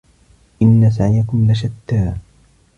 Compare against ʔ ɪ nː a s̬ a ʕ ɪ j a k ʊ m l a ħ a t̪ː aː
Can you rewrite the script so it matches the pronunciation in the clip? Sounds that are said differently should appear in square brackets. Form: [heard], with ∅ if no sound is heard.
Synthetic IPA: ʔ ɪ nː a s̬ a ʕ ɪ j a k ʊ m l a [ʃ] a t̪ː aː